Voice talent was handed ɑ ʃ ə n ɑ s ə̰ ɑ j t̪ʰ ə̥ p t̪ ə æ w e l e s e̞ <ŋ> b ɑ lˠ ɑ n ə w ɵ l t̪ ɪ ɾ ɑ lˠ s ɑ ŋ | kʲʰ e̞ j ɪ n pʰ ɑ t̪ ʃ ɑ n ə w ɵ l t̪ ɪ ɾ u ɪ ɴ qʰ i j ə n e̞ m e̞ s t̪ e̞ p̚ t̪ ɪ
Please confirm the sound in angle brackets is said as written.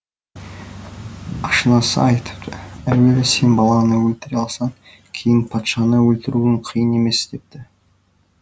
no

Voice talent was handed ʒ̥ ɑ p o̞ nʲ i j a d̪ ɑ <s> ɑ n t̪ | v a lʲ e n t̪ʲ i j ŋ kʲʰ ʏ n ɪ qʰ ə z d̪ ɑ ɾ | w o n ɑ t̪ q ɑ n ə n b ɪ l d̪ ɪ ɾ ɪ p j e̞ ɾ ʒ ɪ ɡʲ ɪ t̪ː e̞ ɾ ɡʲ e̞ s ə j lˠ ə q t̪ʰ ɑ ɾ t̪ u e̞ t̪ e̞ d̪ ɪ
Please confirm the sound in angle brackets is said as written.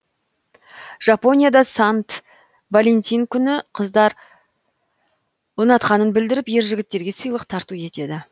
yes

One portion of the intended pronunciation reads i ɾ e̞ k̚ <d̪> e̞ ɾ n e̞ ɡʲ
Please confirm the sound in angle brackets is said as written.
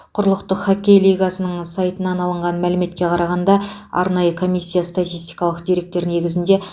no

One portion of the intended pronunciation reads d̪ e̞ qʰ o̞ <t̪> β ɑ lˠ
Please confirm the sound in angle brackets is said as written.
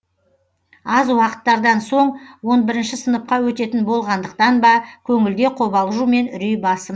no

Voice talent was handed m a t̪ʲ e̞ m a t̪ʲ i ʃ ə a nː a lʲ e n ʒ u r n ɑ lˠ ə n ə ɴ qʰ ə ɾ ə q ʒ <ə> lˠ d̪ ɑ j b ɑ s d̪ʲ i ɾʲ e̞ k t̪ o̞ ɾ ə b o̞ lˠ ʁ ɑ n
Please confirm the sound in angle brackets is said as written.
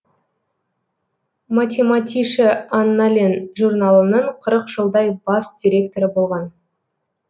yes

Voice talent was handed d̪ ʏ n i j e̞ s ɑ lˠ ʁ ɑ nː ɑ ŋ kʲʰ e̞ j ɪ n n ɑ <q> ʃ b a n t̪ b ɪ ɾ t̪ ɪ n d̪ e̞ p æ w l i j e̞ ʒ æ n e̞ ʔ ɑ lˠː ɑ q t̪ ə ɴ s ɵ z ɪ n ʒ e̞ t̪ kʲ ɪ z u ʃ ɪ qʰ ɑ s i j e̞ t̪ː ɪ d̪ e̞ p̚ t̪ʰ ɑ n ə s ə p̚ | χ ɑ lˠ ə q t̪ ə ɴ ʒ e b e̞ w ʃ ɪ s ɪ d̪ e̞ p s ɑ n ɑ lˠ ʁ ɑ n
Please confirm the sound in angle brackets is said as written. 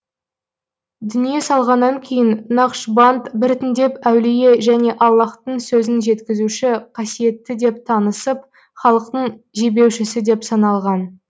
yes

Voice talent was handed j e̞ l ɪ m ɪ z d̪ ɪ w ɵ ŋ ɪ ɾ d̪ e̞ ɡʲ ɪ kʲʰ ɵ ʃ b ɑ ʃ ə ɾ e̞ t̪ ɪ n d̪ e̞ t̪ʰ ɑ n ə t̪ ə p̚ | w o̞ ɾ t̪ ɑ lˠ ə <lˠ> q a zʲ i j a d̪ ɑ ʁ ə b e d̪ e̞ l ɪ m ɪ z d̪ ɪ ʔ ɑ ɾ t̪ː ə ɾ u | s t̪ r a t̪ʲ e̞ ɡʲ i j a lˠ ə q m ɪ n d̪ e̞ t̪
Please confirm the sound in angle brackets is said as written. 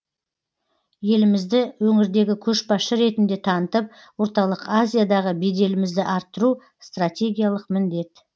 no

